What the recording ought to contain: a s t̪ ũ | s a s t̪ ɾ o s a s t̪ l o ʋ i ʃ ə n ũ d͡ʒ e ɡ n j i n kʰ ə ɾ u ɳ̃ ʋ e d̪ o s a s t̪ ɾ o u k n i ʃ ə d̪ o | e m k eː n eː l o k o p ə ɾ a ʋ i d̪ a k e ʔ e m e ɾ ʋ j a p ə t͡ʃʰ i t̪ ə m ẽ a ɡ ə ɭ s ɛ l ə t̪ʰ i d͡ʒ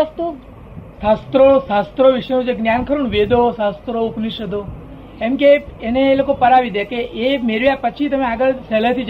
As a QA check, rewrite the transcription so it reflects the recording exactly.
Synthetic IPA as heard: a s t̪ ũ | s a s t̪ ɾ o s a s t̪ ɾ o ʋ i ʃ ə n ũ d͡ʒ e ɡ n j a n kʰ ə ɾ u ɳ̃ ʋ e d̪ o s a s t̪ ɾ o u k n i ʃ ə d̪ o | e m k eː n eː l o k o p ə ɾ a ʋ i d̪ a k e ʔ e m e ɾ ʋ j a p ə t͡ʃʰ i t̪ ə m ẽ a ɡ ə ɭ s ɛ l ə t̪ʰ i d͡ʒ